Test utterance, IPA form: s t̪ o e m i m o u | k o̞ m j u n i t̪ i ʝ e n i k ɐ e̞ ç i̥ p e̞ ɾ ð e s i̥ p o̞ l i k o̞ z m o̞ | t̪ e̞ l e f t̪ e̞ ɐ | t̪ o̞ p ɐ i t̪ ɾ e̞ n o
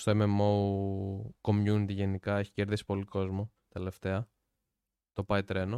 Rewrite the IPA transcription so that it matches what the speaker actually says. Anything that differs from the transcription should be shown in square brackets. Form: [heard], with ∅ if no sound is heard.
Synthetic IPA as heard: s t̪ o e m [e] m o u | k o̞ m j u n i t̪ i ʝ e n i k ɐ e̞ ç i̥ [c] e̞ ɾ ð [i] s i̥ p o̞ l i k o̞ z m o̞ | t̪ e̞ l e f t̪ e̞ ɐ | t̪ o̞ p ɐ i t̪ ɾ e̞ n o